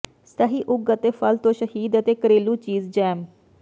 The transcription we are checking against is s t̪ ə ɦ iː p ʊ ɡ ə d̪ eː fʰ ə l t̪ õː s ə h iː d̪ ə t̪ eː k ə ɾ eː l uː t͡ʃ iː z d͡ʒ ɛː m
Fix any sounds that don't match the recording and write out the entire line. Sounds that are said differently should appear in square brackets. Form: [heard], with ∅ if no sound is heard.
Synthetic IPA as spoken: s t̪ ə ɦ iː [ʔ] ʊ ɡ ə [t̪] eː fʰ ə l t̪ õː [ʃ] ə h iː d̪ ə t̪ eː k ə ɾ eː l uː t͡ʃ iː z d͡ʒ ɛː m

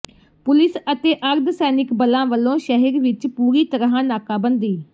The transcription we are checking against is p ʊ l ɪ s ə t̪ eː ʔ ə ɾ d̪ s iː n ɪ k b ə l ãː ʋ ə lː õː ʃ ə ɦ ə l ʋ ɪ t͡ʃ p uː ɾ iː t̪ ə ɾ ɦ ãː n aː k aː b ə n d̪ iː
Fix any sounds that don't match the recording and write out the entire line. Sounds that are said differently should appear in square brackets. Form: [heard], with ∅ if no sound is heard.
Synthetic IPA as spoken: p ʊ l ɪ s ə t̪ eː ʔ ə ɾ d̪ s [ɛː] n ɪ k b ə l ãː ʋ ə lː õː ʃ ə ɦ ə [ɾ] ʋ ɪ t͡ʃ p uː ɾ iː t̪ ə ɾ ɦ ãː n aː k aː b ə n d̪ iː

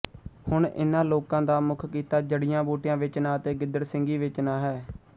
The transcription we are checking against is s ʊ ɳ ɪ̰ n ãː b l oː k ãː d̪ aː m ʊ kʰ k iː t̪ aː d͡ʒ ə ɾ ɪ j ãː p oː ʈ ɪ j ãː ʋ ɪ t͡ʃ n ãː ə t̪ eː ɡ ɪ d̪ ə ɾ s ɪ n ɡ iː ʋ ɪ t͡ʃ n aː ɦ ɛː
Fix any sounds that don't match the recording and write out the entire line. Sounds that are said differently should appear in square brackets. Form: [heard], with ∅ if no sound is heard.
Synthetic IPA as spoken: [h] ʊ ɳ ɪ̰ n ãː [∅] l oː k ãː d̪ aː m ʊ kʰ k iː t̪ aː d͡ʒ ə [ɽ] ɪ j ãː [b] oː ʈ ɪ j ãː ʋ ɪ t͡ʃ n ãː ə t̪ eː ɡ ɪ d̪ ə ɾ s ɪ [ŋ] ɡ iː ʋ ɪ t͡ʃ n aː ɦ ɛː

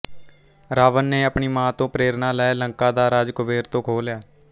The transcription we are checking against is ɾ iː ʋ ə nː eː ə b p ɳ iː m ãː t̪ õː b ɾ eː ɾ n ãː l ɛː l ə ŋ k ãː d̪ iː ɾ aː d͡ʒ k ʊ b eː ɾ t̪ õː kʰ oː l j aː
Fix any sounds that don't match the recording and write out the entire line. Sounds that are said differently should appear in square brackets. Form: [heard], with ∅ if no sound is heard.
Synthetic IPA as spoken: ɾ [aː] ʋ ə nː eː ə [∅] p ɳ iː m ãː t̪ õː [p] ɾ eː ɾ n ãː l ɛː l ə ŋ k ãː d̪ [aː] ɾ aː d͡ʒ k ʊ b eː ɾ t̪ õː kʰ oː l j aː

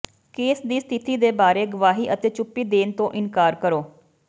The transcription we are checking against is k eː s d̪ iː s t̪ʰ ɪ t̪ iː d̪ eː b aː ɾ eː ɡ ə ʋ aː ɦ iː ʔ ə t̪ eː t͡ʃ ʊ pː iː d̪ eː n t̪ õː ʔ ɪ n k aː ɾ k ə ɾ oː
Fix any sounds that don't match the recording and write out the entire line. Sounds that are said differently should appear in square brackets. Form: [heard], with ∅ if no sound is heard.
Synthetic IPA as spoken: k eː s d̪ iː s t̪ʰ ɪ t̪ iː d̪ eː b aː ɾ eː ɡ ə ʋ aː ɦ iː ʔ ə t̪ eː t͡ʃ ʊ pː iː d̪ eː n t̪ õː ʔ ɪ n k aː ɾ k ə ɾ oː

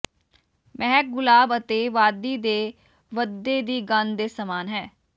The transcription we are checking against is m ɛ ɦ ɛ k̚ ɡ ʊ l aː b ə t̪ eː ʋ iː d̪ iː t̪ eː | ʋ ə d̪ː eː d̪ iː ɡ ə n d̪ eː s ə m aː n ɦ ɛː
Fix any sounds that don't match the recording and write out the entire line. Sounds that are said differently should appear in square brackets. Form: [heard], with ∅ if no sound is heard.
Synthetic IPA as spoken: m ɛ ɦ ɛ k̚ ɡ ʊ l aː b ə t̪ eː ʋ [aː] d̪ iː [d̪] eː | ʋ ə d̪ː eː d̪ iː ɡ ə n d̪ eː s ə m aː n ɦ ɛː

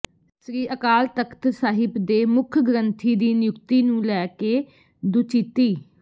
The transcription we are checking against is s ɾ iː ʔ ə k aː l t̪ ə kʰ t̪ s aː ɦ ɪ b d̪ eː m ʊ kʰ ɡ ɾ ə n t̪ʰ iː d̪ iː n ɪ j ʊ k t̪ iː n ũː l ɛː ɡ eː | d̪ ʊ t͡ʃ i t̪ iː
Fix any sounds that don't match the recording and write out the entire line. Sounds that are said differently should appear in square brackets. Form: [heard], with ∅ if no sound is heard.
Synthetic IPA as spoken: s ɾ iː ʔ ə k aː l t̪ ə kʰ t̪ s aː ɦ ɪ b d̪ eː m ʊ kʰ ɡ ɾ ə n t̪ʰ iː d̪ iː n ɪ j ʊ k t̪ iː n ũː l ɛː [k] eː | d̪ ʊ t͡ʃ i t̪ iː

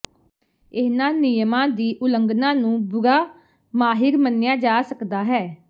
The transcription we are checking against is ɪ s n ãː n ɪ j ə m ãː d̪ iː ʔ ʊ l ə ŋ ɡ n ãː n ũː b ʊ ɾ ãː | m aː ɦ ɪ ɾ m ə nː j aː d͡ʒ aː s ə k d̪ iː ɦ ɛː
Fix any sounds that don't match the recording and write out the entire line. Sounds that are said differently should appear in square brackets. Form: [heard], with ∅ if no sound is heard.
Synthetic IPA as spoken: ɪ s n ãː n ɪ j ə m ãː d̪ iː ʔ ʊ l ə ŋ ɡ n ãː n ũː b ʊ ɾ [aː] | m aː ɦ ɪ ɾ m ə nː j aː d͡ʒ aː s ə k d̪ [aː] ɦ ɛː

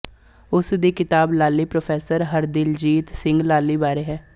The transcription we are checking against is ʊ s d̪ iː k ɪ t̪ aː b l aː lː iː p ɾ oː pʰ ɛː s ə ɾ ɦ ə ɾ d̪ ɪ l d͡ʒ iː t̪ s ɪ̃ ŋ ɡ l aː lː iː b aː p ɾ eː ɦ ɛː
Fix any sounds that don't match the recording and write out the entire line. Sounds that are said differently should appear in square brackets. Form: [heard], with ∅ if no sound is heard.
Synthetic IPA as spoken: ʊ s d̪ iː k ɪ t̪ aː b l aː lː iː p ɾ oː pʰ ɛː s ə ɾ ɦ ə ɾ d̪ ɪ l d͡ʒ iː t̪ s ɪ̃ ŋ ɡ l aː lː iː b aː [∅] ɾ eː ɦ ɛː

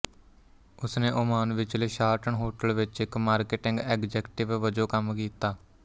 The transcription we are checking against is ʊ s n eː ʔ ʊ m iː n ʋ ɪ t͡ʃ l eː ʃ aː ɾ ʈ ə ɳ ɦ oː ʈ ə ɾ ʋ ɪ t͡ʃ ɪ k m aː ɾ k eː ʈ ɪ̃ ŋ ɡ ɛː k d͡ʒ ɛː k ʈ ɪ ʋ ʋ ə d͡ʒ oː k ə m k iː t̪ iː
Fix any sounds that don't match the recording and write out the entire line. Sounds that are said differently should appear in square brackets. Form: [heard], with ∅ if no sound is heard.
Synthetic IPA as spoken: ʊ s n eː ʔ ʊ m [aː] n ʋ ɪ t͡ʃ l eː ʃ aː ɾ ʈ ə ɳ ɦ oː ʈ ə [l] ʋ ɪ t͡ʃ ɪ k m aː ɾ k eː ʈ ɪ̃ ŋ ɡ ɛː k d͡ʒ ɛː k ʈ ɪ ʋ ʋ ə d͡ʒ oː k ə m k iː t̪ [aː]

